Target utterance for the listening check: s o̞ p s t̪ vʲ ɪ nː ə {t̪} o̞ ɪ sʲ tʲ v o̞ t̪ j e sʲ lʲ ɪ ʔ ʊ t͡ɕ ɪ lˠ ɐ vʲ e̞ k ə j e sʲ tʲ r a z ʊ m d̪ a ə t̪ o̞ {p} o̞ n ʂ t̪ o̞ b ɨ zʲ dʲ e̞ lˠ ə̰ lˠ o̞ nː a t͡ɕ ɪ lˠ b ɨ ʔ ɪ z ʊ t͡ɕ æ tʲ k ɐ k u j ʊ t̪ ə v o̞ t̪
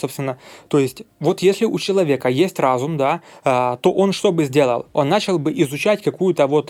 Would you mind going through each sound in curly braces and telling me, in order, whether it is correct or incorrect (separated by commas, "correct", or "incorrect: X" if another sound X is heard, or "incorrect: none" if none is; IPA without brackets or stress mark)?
correct, incorrect: ʔ